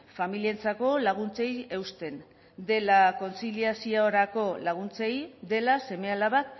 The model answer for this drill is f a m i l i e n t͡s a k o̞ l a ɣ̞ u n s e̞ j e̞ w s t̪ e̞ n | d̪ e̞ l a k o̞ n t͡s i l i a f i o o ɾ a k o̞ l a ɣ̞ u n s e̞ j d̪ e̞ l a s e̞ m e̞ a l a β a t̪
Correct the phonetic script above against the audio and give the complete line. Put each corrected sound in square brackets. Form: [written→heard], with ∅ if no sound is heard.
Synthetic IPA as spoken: f a m i l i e n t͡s a k o̞ l a ɣ̞ u n [s→t͡s] e̞ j e̞ w s t̪ e̞ n | d̪ e̞ l a k o̞ n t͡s i l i a [f→s] i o o ɾ a k o̞ l a ɣ̞ u n [s→t͡s] e̞ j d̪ e̞ l a s e̞ m e̞ a l a β a t̪